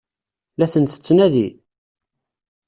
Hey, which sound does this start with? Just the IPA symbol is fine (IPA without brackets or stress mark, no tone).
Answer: l